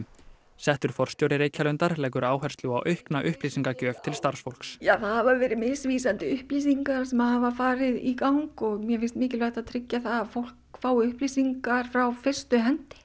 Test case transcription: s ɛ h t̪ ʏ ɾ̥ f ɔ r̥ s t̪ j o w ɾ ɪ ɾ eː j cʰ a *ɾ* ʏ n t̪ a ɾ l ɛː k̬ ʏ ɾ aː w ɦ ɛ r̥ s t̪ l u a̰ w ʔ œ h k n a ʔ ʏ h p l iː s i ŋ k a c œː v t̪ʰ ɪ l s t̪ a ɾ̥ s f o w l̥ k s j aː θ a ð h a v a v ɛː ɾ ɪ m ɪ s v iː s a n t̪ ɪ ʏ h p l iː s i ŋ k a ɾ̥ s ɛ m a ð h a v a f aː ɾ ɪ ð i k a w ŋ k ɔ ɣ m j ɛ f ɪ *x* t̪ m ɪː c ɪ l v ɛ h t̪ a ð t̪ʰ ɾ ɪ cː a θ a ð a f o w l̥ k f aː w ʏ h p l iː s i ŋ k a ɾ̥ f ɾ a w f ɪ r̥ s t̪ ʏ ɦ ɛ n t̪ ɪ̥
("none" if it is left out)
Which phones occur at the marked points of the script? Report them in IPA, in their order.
l, s

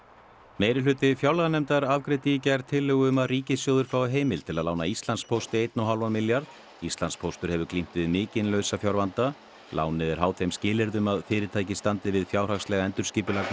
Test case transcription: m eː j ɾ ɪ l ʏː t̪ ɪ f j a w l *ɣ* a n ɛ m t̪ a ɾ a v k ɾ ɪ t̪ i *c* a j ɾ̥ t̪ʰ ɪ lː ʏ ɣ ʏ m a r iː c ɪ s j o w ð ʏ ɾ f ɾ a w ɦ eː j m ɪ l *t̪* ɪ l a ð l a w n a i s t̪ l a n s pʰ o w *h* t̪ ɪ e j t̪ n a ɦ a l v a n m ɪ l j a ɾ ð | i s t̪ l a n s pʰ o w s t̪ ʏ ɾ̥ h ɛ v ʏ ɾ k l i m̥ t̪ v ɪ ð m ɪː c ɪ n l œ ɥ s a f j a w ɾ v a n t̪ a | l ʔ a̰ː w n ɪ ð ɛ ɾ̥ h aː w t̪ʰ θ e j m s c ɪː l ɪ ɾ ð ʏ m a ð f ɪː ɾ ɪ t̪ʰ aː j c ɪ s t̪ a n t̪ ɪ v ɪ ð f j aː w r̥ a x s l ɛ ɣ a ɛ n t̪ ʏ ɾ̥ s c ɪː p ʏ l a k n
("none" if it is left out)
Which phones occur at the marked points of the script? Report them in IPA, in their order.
ɣ, c, t̪ʰ, s

